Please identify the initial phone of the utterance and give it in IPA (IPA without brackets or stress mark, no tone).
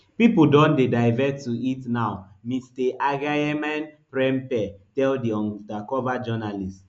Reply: p